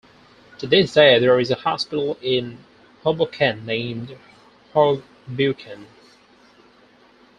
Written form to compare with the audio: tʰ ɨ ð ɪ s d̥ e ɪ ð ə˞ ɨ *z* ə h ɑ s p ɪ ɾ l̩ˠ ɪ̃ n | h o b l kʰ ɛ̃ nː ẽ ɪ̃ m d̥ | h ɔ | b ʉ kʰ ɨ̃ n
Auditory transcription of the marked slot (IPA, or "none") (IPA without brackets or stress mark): z